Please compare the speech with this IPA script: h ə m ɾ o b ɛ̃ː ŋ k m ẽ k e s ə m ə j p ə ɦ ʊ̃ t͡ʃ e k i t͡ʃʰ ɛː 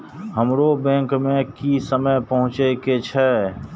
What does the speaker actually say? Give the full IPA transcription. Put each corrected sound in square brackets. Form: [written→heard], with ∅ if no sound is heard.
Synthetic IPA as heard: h ə m ɾ o b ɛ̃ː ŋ k m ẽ k [e→i] s ə m ə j p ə ɦ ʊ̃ t͡ʃ e k [i→e] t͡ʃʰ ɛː